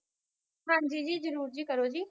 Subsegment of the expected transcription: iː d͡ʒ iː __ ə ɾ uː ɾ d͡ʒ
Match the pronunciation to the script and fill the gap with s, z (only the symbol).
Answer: z